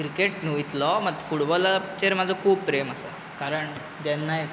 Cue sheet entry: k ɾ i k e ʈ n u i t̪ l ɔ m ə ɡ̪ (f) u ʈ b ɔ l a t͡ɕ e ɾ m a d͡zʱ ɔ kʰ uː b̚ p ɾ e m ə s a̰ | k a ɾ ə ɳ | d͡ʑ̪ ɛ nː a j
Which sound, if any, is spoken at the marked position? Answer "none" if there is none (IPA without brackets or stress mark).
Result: f